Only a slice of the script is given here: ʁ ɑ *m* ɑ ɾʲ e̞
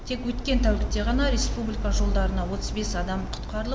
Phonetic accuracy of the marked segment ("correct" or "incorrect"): incorrect